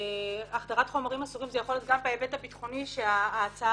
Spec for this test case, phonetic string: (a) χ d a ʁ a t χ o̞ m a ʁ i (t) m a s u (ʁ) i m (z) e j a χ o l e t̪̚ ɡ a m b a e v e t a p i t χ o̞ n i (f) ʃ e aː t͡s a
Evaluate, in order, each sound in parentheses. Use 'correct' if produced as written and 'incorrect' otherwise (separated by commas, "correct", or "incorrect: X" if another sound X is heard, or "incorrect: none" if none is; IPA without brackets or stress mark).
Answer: correct, incorrect: none, correct, correct, incorrect: ʃ